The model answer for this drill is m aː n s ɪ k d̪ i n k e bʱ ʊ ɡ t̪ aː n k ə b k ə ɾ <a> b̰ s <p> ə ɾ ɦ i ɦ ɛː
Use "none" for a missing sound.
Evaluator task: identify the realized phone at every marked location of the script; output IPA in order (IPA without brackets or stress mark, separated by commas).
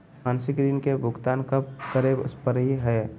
e, p